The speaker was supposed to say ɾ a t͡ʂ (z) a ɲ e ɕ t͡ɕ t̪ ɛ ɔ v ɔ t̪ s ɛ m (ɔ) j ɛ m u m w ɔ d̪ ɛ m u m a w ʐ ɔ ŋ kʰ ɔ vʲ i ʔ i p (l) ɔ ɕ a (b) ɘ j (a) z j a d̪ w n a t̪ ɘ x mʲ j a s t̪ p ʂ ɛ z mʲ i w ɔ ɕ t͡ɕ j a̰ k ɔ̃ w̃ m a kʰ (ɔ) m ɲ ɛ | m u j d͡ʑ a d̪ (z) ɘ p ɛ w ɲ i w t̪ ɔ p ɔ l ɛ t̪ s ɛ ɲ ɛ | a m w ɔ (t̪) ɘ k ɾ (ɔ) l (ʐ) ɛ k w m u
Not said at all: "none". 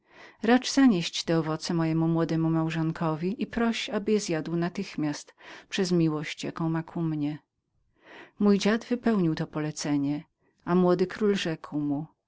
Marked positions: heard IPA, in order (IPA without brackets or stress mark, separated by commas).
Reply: z, ɔ, ɾ, b, ɛ, u, v, d̪, u, ʐ